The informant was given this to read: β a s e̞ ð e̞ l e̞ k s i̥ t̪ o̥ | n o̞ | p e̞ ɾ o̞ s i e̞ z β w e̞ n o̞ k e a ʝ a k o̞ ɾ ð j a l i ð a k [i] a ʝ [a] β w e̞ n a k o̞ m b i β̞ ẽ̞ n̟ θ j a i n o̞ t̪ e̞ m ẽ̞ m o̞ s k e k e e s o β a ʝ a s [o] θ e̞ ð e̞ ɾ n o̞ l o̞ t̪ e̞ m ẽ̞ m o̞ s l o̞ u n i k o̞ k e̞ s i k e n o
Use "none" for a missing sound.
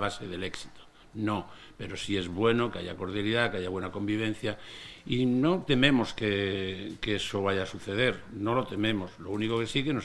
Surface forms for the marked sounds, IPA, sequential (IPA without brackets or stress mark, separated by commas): e, a, u